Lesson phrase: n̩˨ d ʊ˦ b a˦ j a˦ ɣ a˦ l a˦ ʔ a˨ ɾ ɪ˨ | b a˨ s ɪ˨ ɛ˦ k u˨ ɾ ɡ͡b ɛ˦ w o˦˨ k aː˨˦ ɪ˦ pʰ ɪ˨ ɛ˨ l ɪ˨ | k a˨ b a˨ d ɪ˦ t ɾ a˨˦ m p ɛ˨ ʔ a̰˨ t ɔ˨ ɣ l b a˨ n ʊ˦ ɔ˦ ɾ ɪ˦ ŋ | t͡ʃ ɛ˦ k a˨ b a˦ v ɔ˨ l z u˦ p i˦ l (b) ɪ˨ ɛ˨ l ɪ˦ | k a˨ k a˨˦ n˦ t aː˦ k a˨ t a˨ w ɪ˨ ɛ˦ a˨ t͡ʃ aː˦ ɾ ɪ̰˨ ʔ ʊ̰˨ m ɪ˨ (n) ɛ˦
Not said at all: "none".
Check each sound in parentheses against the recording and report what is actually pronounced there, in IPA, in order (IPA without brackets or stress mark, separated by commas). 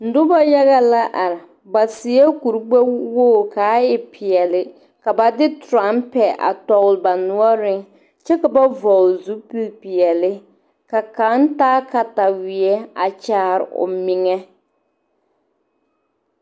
p, ŋ